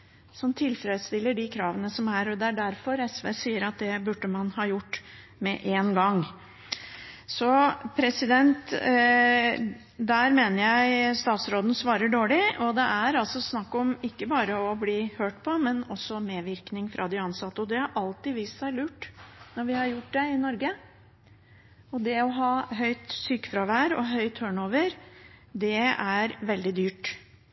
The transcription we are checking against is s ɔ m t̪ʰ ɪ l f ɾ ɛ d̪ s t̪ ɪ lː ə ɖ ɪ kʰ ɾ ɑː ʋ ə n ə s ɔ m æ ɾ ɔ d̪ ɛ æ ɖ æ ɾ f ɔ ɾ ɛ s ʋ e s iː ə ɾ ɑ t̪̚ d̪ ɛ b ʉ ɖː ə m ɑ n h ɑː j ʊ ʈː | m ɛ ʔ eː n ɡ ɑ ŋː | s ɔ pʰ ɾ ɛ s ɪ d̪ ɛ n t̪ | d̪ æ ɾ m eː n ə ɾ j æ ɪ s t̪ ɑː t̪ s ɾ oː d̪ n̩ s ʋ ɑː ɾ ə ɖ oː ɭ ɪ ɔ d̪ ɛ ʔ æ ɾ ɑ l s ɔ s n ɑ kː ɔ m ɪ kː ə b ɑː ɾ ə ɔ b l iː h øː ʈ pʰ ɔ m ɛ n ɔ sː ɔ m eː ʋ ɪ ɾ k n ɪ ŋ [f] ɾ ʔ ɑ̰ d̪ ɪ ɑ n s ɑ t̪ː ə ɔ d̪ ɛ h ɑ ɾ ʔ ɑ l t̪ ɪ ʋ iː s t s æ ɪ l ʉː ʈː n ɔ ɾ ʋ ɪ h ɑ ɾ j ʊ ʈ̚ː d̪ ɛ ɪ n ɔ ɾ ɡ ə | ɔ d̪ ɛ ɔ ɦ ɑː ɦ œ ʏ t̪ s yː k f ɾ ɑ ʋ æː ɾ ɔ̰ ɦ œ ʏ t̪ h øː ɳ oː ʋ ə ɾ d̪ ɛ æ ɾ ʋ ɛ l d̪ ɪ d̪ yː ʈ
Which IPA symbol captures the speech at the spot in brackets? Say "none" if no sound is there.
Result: f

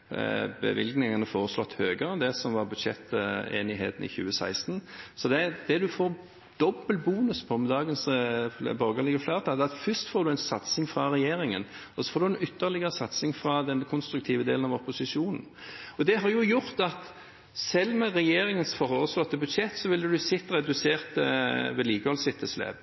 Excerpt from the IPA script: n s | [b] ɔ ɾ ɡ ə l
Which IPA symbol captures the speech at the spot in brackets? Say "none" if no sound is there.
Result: b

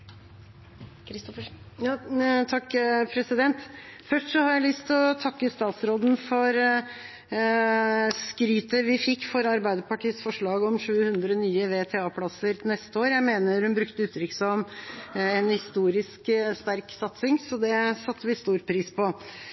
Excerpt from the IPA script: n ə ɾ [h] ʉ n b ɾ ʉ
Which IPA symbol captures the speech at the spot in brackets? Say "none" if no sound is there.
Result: h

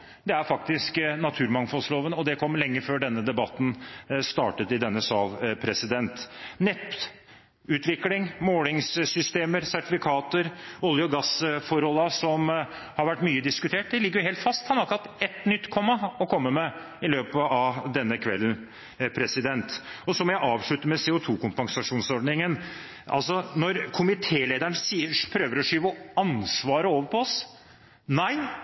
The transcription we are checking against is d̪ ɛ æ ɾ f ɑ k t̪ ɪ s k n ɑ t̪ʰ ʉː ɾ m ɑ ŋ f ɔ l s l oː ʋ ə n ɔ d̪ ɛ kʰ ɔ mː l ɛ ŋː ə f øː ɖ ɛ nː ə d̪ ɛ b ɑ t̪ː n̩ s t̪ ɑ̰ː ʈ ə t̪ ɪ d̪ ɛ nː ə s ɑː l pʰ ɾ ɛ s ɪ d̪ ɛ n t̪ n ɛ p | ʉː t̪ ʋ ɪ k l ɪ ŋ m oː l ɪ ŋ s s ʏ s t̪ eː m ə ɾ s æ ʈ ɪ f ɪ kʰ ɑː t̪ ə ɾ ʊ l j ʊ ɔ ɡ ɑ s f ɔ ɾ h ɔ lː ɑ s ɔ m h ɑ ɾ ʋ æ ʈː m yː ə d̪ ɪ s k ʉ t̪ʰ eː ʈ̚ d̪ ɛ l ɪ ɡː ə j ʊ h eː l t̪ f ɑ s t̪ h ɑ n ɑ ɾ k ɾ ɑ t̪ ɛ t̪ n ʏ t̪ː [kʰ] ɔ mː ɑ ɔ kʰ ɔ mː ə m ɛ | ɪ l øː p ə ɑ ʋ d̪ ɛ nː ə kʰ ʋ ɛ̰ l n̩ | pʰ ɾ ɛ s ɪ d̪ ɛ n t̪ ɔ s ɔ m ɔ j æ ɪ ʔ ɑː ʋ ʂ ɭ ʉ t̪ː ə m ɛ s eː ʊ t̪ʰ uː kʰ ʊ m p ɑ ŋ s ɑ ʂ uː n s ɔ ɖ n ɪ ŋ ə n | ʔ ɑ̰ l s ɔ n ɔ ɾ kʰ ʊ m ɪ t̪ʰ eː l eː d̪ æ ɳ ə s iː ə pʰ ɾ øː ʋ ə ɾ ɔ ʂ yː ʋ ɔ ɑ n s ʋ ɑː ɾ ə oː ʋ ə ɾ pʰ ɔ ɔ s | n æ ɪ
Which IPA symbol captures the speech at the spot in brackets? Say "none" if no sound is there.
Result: kʰ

